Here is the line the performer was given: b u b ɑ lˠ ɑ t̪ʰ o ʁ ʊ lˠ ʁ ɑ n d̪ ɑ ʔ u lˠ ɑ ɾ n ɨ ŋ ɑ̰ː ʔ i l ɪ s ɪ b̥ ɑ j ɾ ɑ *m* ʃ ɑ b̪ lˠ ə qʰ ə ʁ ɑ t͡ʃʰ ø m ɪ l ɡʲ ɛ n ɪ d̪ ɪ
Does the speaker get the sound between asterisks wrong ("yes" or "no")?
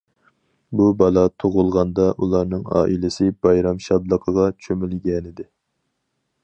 no